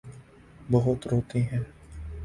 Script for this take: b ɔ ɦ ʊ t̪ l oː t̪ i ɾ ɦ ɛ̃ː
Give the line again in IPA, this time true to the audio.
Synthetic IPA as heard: b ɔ ɦ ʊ t̪ ɾ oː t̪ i ɦ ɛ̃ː